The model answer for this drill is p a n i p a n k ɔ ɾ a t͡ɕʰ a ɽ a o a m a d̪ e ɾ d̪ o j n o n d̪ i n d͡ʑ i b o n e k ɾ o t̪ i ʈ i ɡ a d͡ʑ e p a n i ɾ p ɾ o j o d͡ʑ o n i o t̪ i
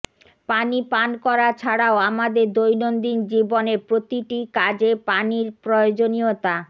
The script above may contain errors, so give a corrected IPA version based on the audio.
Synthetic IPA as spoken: p a n i p a n k ɔ ɾ a t͡ɕʰ a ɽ a o a m a d̪ e ɾ d̪ o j n o n d̪ i n d͡ʑ i b o n e p ɾ o t̪ i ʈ i k a d͡ʑ e p a n i ɾ p ɾ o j o d͡ʑ o n i o t̪ a